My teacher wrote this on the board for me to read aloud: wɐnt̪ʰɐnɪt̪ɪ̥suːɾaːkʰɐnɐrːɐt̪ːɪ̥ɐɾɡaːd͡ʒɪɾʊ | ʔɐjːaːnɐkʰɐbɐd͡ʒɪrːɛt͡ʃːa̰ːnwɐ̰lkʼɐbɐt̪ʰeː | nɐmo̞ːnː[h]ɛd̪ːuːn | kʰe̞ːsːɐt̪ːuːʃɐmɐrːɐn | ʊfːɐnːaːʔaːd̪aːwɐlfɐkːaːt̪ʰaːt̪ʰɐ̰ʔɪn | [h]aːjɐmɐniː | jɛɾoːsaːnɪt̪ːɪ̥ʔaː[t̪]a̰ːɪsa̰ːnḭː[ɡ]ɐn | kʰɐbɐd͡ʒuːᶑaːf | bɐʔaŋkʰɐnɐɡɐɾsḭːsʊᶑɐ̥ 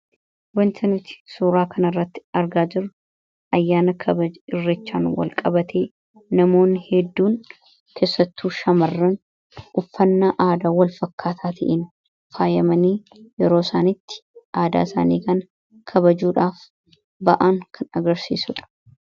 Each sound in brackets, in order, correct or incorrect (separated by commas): correct, incorrect, incorrect, incorrect